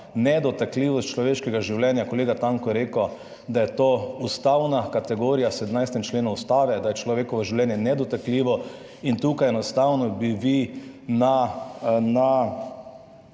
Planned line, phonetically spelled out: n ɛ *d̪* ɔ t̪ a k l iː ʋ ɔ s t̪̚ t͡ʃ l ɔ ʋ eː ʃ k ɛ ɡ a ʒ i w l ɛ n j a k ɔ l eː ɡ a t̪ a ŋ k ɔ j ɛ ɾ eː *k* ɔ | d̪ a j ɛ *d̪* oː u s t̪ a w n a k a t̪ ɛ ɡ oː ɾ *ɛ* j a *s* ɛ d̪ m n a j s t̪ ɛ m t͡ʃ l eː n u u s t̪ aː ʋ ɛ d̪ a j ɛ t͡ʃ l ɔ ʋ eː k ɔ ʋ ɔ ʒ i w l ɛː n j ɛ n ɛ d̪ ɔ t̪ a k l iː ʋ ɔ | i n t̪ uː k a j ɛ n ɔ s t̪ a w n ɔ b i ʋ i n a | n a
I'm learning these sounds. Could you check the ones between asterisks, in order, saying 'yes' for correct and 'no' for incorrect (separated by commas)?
yes, yes, no, no, yes